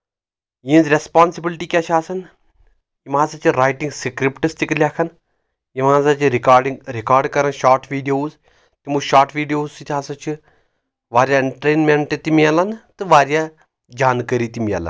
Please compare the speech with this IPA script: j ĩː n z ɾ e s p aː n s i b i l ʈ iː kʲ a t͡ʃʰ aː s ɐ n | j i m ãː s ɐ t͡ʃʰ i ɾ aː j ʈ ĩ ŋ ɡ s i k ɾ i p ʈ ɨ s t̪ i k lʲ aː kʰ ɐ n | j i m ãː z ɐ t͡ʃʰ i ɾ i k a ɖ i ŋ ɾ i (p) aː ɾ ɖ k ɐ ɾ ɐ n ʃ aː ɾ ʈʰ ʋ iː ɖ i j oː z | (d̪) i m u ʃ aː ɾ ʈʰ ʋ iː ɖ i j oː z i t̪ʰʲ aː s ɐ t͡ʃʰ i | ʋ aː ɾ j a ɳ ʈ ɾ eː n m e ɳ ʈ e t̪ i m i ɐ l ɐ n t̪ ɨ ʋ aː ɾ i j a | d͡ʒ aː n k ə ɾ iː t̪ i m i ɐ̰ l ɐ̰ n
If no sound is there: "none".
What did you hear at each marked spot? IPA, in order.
k, t̪

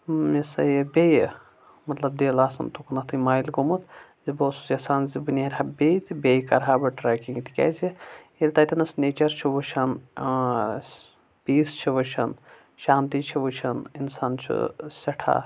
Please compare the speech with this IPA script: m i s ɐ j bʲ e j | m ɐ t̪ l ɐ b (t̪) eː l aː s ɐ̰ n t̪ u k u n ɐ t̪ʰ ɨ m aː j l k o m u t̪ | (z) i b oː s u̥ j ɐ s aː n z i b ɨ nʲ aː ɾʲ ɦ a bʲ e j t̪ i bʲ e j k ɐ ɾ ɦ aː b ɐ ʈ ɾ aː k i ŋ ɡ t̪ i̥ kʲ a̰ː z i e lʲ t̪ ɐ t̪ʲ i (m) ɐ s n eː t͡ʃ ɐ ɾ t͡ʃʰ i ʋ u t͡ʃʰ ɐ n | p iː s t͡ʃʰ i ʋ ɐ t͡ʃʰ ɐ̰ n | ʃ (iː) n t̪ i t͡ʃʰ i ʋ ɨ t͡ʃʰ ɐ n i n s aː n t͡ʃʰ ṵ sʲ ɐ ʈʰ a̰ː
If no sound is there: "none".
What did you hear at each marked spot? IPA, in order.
d̪, z, n, aː

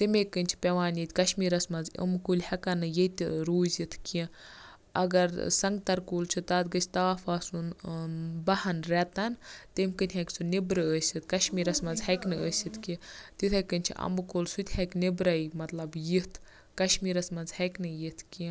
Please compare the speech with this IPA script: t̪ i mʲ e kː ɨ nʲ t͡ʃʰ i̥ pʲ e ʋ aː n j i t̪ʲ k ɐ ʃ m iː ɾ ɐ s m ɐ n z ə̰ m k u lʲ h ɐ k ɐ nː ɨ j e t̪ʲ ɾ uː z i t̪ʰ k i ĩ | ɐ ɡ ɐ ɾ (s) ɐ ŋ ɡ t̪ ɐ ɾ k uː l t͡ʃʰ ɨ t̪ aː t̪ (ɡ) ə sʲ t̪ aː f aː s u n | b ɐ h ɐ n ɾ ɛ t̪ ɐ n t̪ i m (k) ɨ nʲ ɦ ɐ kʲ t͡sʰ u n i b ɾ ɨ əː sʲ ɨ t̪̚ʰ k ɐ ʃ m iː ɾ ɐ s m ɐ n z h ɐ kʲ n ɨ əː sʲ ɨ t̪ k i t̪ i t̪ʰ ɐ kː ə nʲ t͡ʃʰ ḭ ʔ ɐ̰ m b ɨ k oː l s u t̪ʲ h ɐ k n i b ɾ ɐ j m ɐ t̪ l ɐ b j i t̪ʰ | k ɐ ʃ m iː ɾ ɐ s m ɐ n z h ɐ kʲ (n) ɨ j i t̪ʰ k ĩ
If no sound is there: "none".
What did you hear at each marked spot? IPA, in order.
s, ɡ, k, n

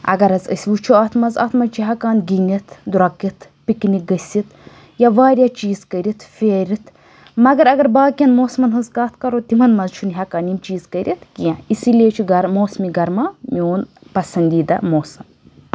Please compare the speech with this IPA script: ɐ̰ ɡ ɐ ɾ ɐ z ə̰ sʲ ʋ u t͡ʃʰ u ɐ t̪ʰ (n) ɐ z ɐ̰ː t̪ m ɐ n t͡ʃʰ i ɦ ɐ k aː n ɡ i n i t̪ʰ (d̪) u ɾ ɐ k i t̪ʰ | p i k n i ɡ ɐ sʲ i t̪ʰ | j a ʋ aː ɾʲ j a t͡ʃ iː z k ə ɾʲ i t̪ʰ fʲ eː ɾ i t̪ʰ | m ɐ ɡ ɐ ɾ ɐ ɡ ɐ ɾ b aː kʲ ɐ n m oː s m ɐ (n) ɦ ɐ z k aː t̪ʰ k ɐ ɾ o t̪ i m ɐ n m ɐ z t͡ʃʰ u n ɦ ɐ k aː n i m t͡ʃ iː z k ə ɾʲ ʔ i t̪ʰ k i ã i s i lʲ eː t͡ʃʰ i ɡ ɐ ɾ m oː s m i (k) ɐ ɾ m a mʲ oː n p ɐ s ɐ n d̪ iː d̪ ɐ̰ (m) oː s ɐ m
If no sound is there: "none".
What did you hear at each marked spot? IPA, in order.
m, d̪, n, ɡ, m

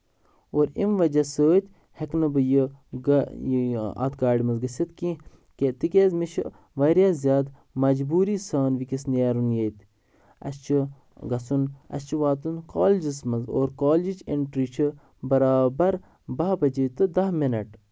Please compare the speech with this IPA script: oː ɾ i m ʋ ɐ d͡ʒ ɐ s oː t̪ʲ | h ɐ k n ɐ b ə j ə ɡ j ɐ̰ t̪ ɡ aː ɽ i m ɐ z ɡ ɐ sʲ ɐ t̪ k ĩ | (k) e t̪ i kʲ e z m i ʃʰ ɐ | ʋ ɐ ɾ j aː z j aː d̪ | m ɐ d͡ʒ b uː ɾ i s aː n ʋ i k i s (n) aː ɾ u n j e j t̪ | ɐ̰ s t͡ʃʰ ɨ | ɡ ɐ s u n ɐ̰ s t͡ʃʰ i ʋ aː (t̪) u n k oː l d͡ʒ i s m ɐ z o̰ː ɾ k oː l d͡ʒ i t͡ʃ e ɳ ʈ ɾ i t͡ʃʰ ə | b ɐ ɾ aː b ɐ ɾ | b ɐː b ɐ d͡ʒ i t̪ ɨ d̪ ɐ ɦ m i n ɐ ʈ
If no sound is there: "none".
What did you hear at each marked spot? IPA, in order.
k, n, t̪

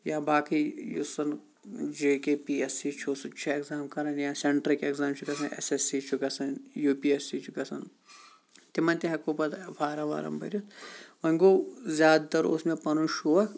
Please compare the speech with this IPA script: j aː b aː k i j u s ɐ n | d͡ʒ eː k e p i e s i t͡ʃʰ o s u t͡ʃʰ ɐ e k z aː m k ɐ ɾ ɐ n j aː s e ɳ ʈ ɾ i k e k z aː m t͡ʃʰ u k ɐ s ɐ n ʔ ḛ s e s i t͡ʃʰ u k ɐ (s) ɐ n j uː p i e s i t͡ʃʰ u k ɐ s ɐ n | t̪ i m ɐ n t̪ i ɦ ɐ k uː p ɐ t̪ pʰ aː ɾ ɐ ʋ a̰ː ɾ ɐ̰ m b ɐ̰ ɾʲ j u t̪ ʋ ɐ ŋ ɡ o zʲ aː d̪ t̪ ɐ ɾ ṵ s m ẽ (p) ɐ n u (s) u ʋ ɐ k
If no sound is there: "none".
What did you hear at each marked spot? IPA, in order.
s, p, ʃ

